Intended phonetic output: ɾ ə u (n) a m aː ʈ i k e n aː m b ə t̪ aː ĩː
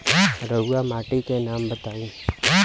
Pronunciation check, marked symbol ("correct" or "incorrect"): incorrect